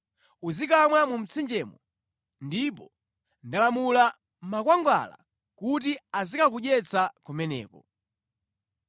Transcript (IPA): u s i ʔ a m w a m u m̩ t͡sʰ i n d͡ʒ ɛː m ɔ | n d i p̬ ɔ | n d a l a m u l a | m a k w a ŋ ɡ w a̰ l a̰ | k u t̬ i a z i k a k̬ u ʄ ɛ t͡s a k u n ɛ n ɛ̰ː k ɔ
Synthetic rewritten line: u z i k a m w a m u m̩ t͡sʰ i n d͡ʒ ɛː m ɔ | n d i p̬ ɔ | n d a l a m u l a | m a k w a ŋ ɡ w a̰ l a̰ | k u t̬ i a z i k a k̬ u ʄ ɛ t͡s a k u m ɛ n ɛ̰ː k ɔ